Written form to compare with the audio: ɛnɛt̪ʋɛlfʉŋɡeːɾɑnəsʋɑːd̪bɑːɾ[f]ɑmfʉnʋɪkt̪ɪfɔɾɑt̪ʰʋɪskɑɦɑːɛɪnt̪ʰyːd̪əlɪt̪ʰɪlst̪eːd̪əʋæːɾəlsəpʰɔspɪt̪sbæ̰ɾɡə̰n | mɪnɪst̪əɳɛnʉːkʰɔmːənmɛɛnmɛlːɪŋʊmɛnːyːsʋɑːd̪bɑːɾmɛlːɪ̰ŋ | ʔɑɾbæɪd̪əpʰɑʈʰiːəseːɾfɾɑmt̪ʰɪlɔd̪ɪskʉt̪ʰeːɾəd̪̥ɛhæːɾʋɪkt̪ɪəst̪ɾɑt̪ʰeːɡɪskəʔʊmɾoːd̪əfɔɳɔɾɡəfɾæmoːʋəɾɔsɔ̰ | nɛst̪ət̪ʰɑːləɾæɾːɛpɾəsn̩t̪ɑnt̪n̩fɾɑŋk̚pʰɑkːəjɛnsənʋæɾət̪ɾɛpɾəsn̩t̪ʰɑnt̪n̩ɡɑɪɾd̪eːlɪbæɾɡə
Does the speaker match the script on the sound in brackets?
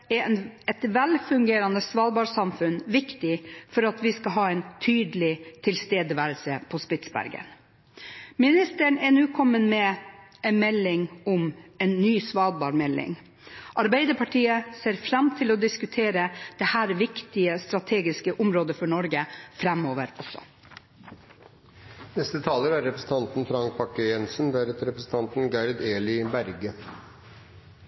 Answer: no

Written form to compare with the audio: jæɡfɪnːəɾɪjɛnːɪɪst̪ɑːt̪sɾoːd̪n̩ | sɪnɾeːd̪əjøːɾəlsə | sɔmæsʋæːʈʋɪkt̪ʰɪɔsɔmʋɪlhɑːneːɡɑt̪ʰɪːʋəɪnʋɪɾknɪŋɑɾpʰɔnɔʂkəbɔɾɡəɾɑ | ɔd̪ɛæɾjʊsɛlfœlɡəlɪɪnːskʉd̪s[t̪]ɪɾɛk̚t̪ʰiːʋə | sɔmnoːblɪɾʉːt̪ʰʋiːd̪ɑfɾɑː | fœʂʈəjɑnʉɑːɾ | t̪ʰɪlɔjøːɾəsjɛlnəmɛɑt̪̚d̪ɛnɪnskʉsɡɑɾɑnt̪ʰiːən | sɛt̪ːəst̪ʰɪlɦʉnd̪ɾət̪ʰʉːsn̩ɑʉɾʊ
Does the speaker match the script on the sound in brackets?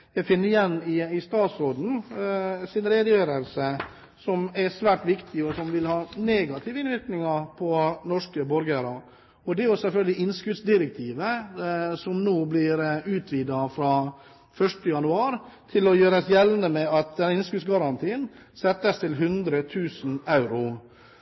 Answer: no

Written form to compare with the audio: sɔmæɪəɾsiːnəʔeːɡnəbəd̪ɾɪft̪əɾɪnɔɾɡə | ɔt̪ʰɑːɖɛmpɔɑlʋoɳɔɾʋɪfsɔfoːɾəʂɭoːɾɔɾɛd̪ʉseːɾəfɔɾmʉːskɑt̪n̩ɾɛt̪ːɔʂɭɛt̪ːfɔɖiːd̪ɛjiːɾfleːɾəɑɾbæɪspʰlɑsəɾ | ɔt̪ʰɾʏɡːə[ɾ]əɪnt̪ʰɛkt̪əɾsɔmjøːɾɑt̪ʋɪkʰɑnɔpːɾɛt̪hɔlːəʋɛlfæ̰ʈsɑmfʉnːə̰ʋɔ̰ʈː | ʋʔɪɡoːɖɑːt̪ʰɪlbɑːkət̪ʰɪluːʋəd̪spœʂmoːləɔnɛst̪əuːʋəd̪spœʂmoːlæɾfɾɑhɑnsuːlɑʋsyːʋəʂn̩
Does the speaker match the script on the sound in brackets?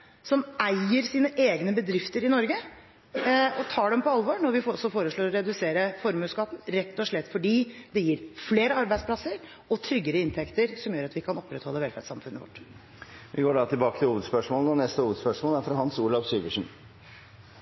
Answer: yes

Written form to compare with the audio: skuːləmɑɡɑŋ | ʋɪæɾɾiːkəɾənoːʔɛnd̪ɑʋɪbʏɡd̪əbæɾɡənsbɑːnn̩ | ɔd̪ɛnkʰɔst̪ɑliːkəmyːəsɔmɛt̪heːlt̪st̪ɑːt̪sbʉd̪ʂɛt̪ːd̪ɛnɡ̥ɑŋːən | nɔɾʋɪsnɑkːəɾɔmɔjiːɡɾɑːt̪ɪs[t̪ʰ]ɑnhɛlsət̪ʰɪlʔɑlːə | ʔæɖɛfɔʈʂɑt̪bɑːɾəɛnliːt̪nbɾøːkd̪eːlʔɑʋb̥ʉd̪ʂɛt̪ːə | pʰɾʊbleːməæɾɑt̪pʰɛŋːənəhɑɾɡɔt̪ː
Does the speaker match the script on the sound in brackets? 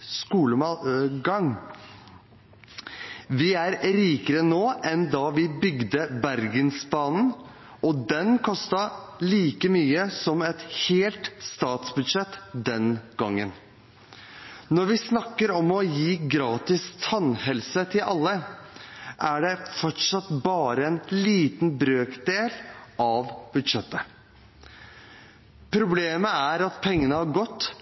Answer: yes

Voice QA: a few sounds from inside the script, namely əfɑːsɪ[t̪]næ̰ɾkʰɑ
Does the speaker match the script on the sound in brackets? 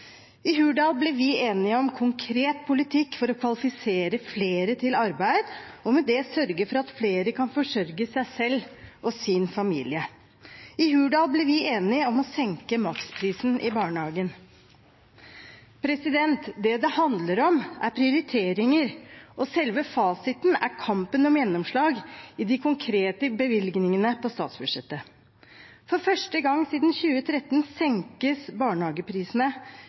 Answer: yes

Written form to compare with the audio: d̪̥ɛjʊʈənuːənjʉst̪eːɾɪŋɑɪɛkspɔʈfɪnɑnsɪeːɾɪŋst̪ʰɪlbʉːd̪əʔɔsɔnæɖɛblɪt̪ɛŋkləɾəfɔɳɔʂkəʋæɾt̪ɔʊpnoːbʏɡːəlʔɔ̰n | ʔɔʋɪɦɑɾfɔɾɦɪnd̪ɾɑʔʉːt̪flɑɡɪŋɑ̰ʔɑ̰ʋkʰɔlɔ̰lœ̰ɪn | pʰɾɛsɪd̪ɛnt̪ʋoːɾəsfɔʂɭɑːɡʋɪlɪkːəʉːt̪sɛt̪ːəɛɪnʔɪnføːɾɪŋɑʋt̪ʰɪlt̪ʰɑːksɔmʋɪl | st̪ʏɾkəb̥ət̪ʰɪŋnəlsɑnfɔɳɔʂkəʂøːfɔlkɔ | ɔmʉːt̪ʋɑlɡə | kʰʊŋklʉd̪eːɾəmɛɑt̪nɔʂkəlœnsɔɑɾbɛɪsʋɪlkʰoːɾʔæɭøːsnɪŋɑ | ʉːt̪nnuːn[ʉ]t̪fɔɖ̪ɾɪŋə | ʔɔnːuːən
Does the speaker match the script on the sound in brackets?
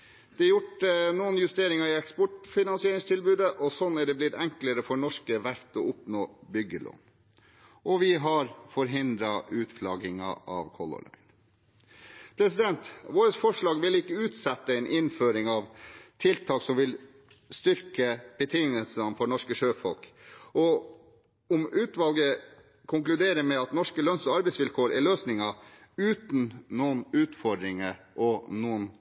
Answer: no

